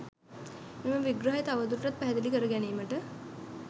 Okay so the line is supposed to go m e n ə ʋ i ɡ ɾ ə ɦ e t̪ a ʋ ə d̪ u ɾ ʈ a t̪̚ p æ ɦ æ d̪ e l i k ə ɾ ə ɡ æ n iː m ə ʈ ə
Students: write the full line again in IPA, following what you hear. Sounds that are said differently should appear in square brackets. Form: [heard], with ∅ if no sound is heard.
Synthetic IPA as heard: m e [m] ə ʋ i ɡ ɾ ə ɦ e t̪ a ʋ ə d̪ u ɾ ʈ a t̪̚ p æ ɦ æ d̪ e l i k ə ɾ ə ɡ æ n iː m ə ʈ ə

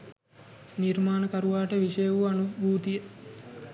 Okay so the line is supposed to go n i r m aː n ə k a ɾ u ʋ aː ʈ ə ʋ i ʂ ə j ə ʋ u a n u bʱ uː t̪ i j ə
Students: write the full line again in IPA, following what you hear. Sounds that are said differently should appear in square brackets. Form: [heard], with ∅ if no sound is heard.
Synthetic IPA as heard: n i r m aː n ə k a ɾ u ʋ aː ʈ ə ʋ i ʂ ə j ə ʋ u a n u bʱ uː t̪ i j ə

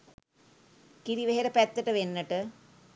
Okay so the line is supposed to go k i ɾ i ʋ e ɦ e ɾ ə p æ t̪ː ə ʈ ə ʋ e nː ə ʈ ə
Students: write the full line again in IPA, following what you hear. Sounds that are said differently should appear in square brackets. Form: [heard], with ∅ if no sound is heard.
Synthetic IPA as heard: k i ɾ i ʋ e ɦ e ɾ ə p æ t̪ː ə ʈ ə ʋ e nː ə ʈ ə

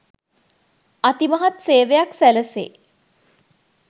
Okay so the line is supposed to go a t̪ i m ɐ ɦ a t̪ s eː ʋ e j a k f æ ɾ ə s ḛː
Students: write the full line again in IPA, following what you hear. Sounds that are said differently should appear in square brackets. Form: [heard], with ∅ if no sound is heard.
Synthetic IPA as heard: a t̪ i m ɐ ɦ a t̪ s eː ʋ e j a k [s] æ [l] ə s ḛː

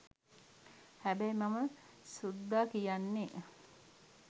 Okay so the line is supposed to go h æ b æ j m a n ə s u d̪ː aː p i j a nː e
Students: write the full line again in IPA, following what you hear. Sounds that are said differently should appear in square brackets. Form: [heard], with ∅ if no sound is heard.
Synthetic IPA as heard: h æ b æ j m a [m] ə s u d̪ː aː [k] i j a nː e

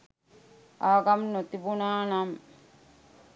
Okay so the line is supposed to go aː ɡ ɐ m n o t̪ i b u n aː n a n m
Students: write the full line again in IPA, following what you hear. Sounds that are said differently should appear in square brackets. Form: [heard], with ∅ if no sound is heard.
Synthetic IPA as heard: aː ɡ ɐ m n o t̪ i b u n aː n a [∅] m

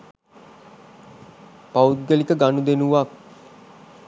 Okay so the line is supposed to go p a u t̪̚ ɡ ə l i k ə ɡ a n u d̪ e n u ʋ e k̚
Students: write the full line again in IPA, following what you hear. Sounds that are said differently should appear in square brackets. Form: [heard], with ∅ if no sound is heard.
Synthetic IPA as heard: p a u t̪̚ ɡ ə l i k ə ɡ a n u d̪ e n u ʋ [a] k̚

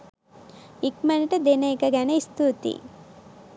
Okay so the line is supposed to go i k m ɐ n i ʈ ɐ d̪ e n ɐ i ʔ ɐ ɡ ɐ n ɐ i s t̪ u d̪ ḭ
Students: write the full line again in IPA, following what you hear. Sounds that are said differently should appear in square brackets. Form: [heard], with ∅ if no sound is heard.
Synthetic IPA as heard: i k m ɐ n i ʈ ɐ d̪ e n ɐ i [k] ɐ ɡ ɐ n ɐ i s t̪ u [t̪] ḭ

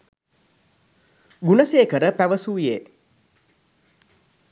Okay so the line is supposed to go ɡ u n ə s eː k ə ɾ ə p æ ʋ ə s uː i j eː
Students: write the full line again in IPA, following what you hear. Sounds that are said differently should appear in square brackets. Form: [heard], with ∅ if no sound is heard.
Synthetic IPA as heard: ɡ u n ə s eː k ə ɾ ə p æ ʋ ə s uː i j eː

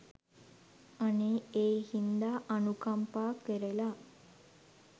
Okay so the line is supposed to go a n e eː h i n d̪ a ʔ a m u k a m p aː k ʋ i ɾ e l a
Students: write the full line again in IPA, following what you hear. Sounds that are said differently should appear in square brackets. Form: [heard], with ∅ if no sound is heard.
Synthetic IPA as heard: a n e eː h i n d̪ a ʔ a [n] u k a m p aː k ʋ [e] ɾ e l a

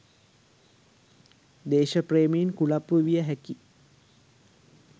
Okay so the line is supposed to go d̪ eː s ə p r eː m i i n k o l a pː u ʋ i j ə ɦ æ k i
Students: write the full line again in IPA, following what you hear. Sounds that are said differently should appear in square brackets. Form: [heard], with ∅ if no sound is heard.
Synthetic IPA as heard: d̪ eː [ʃ] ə p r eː m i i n k [u] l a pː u ʋ i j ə ɦ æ k i

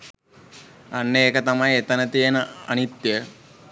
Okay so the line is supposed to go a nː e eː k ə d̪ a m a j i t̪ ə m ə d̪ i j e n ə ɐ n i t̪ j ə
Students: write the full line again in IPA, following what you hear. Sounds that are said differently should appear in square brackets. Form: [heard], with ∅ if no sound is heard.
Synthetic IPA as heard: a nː e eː k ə [t̪] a m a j [e] t̪ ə [n] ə [t̪] i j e n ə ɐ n i t̪ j ə

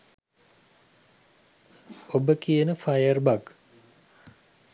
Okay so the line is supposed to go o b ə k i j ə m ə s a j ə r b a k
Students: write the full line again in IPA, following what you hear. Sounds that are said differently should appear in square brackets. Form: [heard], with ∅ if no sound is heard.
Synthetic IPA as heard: o b ə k i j ə [n] ə [f] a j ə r b a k

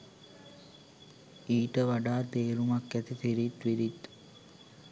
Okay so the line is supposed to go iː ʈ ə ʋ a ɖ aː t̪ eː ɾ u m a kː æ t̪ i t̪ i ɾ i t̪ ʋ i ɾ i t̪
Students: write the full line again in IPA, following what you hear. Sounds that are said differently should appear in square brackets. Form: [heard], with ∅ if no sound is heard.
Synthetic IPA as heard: iː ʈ ə ʋ a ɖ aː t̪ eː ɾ u m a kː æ t̪ i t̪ i ɾ i t̪ ʋ i ɾ i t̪

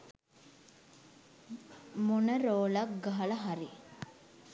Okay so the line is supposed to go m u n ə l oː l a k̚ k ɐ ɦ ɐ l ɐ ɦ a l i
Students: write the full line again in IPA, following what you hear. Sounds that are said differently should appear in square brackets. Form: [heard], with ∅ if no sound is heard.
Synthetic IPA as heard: m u n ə [ɾ] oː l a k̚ [ɡ] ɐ ɦ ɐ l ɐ ɦ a [ɾ] i

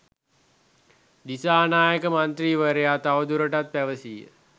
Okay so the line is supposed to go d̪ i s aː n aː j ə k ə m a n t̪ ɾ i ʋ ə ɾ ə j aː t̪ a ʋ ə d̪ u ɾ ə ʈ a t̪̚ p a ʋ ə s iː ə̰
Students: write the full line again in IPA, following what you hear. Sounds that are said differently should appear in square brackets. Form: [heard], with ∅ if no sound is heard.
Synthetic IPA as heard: d̪ i s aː n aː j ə k ə m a n t̪ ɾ [iː] ʋ ə ɾ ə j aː t̪ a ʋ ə d̪ u ɾ ə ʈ a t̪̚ p [æ] ʋ ə s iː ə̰

